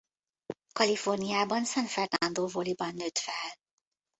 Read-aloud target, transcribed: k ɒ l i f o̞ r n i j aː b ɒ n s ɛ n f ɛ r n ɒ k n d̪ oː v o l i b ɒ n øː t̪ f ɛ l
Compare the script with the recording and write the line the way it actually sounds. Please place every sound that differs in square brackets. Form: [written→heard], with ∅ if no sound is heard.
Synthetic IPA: k ɒ l i f o̞ r n i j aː b ɒ n s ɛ n f ɛ r n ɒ [k→∅] n d̪ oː v o l i b ɒ [n→nː] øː t̪ f ɛ l